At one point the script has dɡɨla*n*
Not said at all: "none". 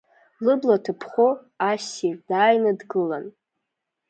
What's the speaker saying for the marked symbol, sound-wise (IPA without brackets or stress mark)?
n